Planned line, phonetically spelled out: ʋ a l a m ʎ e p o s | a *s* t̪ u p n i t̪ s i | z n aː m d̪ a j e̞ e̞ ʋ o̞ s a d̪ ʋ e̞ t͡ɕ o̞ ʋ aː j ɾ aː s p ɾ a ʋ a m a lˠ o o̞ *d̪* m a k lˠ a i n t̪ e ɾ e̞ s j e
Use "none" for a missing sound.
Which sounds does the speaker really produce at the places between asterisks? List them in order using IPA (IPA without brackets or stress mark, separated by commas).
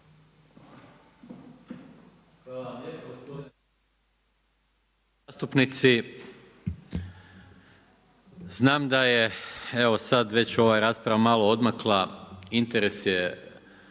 s, d̪